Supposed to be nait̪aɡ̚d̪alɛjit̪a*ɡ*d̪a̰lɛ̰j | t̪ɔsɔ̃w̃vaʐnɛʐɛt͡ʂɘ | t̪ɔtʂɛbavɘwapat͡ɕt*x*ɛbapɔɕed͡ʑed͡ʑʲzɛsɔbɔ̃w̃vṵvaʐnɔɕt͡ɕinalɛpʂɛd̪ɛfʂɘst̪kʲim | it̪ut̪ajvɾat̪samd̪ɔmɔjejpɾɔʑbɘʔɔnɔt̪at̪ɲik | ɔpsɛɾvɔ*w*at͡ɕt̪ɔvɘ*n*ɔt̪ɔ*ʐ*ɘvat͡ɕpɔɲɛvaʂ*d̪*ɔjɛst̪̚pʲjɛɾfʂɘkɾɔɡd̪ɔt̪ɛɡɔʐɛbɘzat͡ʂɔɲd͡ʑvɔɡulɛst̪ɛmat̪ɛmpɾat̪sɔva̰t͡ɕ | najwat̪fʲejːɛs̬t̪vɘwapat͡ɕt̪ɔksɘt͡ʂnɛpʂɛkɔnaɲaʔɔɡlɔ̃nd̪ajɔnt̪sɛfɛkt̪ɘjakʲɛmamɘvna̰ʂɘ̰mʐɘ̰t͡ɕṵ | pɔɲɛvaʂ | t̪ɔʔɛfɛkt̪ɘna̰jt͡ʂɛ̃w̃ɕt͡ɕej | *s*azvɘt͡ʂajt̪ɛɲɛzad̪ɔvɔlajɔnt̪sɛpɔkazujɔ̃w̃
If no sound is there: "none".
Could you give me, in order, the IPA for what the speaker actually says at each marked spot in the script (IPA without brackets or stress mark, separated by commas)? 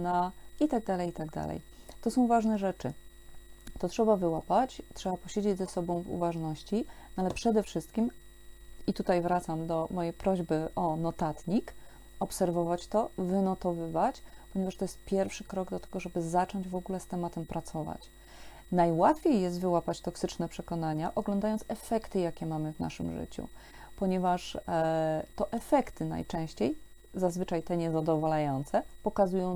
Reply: ɡ, ʂ, v, n, v, t̪, z